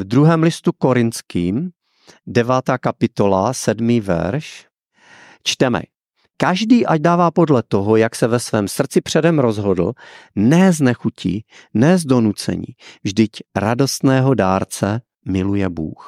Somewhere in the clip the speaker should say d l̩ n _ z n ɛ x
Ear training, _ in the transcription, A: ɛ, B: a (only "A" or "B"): A